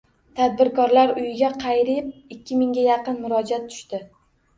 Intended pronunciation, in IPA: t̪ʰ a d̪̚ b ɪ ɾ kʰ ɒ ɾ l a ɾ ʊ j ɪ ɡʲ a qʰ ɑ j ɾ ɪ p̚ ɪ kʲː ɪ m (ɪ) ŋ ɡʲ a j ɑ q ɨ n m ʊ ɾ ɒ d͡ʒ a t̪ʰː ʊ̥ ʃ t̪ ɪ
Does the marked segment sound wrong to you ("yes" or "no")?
no